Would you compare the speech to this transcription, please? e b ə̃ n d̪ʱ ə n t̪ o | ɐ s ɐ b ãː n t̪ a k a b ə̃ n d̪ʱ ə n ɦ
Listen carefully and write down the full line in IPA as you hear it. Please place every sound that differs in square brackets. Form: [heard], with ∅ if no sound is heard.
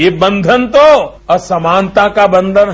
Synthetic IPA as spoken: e b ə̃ n d̪ʱ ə n t̪ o | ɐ s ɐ [m] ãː n t̪ a k a b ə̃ n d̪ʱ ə n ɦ